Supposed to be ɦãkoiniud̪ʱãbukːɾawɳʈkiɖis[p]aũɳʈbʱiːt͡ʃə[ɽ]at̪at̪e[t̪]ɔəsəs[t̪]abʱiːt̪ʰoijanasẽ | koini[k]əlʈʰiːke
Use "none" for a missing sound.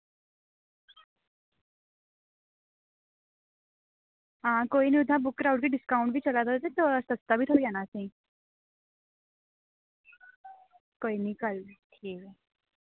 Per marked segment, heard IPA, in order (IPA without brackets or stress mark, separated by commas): k, l, t̪, t̪, k